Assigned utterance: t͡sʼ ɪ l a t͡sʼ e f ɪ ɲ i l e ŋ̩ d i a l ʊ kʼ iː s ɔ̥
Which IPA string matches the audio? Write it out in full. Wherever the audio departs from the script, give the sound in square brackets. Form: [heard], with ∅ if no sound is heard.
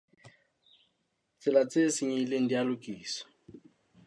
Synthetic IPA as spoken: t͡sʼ ɪ l a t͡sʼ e [s] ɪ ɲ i l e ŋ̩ d i a l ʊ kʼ iː s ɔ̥